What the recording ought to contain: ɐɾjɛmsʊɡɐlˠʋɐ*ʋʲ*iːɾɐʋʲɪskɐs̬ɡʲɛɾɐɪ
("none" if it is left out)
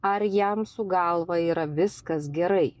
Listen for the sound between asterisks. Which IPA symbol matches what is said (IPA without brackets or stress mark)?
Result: none